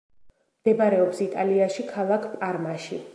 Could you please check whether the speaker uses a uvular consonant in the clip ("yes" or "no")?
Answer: no